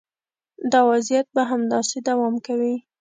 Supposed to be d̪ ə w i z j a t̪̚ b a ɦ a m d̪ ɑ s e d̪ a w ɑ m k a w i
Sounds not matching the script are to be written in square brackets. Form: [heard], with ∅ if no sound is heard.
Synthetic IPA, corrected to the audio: d̪ [ɑ] w [a] z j a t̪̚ b a ɦ a m d̪ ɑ s e d̪ a w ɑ m k a w i